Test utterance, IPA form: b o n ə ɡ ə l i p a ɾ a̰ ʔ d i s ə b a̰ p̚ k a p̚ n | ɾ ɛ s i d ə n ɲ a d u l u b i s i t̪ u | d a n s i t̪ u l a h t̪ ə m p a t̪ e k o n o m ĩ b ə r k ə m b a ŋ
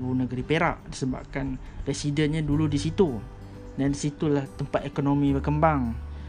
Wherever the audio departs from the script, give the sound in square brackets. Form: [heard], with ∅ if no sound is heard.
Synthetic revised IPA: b [u] n ə ɡ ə [ɾ] i p [e] ɾ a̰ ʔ d i s ə b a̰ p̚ k a [∅] n | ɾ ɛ s i d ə n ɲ a d u l u [d] i s i t̪ u | d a n s i t̪ u l a h t̪ ə m p a t̪ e k o n o m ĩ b ə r k ə m b a ŋ